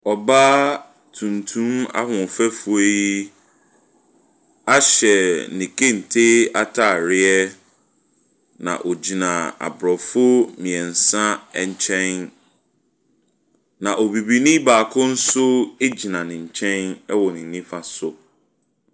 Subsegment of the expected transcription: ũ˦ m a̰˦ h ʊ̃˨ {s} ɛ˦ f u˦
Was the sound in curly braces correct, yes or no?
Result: no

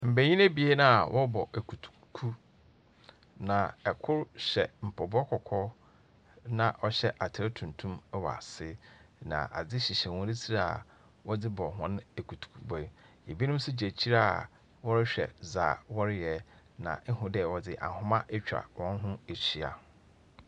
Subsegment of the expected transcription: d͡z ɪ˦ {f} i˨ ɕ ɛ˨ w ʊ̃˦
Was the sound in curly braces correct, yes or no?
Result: no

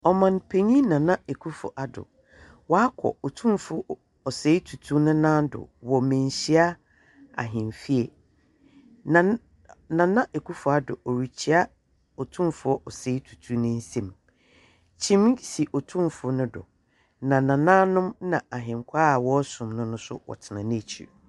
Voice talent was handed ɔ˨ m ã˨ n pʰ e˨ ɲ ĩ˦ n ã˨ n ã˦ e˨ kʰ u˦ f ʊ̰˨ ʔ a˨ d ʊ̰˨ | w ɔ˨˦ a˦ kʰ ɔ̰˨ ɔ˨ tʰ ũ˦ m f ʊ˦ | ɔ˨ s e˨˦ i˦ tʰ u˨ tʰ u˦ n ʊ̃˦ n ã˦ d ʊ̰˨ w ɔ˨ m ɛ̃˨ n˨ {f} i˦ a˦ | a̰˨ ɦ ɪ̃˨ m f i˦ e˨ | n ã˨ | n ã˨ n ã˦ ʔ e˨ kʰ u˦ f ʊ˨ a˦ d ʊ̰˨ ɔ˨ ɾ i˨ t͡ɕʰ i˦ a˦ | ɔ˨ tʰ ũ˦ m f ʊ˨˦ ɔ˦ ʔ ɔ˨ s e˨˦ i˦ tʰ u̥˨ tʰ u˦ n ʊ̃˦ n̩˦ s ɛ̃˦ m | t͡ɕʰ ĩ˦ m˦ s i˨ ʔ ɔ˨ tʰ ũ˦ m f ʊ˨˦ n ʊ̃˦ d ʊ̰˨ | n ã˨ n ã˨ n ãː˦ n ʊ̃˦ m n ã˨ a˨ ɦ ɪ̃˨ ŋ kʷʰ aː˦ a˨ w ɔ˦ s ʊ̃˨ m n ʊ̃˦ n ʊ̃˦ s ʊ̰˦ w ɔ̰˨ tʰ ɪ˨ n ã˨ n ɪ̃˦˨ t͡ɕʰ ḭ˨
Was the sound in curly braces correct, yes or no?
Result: no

